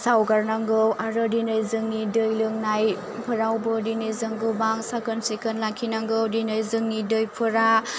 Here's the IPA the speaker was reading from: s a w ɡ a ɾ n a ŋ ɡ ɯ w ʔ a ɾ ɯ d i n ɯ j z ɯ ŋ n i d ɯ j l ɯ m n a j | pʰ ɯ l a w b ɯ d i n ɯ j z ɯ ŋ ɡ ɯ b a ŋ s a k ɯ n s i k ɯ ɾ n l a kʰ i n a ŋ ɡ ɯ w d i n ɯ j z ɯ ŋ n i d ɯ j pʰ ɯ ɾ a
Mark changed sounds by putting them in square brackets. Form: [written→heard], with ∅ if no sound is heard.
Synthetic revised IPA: s a w ɡ a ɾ n a ŋ ɡ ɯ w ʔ a ɾ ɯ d i n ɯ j z ɯ ŋ n i d ɯ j l ɯ [m→ŋ] n a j | pʰ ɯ [l→ɾ] a w b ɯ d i n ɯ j z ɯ ŋ ɡ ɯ b a ŋ s a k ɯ n s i k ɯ [ɾ→∅] n l a kʰ i n a ŋ ɡ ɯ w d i n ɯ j z ɯ ŋ n i d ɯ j pʰ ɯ ɾ a